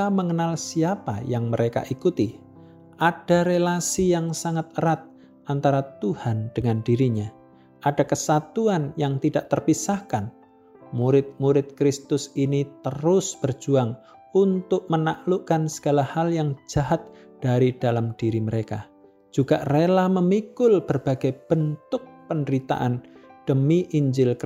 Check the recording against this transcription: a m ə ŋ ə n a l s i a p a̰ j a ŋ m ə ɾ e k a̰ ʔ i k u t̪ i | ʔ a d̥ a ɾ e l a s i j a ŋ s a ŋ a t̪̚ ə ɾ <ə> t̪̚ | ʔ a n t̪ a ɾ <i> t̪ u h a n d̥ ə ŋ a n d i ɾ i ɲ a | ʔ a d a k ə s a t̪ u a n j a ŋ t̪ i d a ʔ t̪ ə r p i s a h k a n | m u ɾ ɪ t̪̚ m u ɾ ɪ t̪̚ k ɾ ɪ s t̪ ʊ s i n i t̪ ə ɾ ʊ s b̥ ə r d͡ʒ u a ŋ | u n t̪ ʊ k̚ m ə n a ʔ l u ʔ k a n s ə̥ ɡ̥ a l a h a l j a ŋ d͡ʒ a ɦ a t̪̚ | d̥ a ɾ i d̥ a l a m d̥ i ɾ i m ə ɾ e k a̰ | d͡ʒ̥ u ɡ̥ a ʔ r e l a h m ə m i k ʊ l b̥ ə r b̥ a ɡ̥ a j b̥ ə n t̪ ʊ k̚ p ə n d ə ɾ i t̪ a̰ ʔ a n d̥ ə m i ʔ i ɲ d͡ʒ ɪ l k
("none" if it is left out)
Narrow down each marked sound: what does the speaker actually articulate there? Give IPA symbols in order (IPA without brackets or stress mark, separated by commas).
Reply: a, a